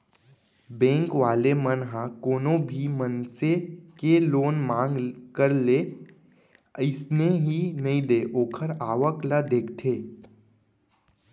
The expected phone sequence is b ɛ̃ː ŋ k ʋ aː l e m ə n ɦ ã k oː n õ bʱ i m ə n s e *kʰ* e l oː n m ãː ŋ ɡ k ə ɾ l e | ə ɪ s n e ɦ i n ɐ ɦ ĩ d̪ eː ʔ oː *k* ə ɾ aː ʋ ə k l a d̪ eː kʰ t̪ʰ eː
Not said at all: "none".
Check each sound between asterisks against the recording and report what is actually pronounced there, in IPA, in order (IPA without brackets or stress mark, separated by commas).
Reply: k, kʰ